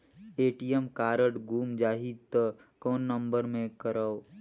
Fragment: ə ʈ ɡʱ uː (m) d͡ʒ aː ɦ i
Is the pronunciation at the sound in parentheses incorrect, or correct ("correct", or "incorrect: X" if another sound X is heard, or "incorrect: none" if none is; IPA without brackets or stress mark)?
correct